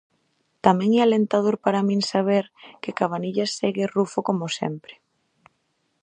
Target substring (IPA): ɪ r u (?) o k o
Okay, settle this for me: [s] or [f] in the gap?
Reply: f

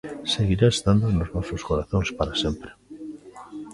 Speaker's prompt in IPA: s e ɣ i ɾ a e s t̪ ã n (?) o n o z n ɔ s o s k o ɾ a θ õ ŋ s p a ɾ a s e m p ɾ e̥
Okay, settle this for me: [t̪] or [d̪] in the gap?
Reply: d̪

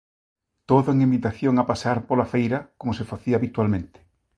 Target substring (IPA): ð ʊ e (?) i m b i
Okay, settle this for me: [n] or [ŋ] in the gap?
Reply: ŋ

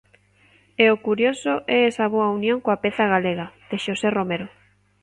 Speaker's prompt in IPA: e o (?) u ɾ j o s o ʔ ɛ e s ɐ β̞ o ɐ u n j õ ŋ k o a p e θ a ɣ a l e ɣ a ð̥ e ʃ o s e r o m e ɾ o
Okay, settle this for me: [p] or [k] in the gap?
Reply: k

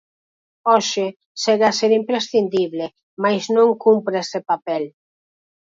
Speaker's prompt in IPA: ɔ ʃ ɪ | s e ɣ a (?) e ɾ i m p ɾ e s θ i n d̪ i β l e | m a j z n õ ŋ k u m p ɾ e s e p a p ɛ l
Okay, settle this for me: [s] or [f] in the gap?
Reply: s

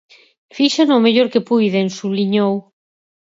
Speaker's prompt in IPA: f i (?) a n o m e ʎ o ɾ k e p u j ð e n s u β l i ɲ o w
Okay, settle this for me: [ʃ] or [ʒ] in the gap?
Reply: ʃ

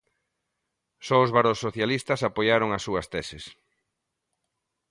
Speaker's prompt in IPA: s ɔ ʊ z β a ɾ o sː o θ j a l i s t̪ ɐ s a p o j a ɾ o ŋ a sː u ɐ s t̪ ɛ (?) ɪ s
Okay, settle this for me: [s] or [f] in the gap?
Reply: s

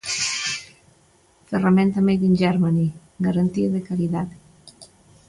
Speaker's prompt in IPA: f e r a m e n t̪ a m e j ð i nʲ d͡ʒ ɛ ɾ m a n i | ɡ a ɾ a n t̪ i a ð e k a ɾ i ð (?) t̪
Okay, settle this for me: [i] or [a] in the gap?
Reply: a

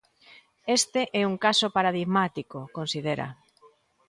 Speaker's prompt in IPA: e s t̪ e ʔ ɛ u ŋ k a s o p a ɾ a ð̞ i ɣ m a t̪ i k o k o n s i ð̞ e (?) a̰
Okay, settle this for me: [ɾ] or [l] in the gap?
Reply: ɾ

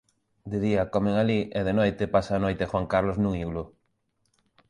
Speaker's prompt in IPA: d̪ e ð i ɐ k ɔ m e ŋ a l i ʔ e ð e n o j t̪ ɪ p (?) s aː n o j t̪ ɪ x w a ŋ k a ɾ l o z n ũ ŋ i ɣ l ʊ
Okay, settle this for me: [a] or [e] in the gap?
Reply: a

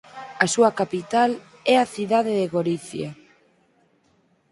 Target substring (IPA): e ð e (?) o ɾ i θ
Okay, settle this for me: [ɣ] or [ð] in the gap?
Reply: ɣ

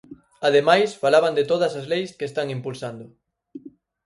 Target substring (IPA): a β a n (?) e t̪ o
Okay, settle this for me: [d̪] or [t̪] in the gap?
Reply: d̪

